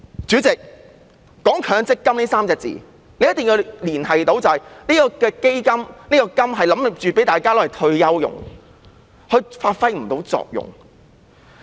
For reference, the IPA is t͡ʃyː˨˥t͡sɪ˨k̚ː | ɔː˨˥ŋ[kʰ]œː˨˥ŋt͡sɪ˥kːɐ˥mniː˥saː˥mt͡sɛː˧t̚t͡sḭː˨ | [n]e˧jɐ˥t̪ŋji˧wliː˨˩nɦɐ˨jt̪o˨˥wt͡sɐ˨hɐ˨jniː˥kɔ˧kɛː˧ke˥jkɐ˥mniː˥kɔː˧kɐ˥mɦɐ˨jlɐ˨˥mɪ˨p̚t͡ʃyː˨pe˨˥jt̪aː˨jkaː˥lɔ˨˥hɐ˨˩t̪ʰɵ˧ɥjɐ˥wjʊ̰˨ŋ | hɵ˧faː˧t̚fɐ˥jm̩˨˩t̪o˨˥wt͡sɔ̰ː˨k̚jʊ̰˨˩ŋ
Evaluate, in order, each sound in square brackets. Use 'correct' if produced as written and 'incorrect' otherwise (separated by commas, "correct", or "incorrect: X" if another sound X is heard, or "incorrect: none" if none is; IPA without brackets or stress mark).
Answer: correct, correct